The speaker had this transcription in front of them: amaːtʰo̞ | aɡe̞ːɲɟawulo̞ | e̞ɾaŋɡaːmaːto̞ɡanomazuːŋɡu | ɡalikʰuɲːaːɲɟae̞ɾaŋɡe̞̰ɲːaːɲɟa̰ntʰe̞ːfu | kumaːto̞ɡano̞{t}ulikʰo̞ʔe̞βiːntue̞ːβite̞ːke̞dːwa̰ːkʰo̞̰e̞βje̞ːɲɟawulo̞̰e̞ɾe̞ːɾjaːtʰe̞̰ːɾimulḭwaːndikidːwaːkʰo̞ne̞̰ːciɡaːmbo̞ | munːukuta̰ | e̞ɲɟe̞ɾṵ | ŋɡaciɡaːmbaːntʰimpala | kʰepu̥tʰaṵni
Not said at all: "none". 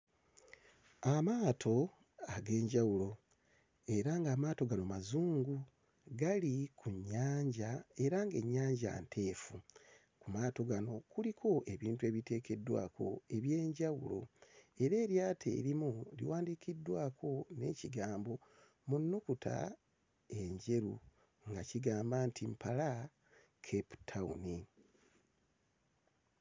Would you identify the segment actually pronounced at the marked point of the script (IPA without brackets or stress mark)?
k